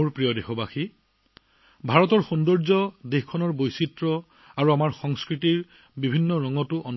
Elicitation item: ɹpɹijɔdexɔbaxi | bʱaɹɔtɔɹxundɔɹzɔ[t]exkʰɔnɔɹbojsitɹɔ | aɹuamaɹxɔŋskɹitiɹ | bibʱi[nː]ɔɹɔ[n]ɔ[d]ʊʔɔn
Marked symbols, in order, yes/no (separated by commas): no, yes, no, no